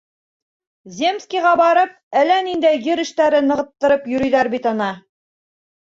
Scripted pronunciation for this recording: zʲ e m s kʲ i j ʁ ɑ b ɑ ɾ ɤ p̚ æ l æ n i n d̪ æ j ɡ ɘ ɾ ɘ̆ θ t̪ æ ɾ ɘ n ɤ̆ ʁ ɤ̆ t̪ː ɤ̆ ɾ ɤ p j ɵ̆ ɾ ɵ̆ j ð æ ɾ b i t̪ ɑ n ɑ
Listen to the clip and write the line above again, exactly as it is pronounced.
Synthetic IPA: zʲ e m s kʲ i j ʁ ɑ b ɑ ɾ ɤ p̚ æ l æ n i n d̪ æ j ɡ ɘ ɾ ɘ̆ ʃ t̪ æ ɾ ɘ n ɤ̆ ʁ ɤ̆ t̪ː ɤ̆ ɾ ɤ p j ɵ̆ ɾ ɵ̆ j ð æ ɾ b i t̪ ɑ n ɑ